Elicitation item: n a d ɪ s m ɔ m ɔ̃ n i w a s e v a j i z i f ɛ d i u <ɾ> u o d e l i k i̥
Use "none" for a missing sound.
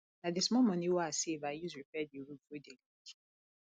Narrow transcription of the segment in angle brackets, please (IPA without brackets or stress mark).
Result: ɾ